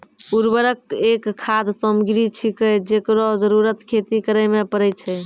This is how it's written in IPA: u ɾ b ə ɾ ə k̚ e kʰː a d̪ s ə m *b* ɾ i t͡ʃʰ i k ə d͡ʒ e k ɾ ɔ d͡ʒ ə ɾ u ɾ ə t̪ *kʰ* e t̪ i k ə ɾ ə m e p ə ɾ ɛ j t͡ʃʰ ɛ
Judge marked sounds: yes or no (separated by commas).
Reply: no, yes